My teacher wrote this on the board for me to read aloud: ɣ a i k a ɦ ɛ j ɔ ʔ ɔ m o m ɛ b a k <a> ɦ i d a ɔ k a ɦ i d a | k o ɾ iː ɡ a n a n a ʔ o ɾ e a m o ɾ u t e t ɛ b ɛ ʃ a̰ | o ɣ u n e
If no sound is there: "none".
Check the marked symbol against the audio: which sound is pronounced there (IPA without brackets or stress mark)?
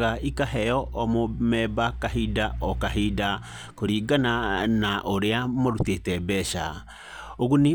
a